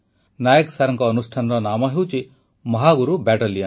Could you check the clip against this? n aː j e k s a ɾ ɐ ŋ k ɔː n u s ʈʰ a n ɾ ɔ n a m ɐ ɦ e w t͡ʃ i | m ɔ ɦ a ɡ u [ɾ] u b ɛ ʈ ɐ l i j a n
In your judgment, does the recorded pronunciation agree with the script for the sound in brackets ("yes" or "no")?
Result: yes